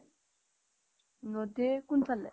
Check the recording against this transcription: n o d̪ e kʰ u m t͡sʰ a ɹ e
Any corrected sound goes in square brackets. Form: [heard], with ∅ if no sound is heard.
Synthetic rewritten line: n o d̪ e [k] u [n] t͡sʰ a [l] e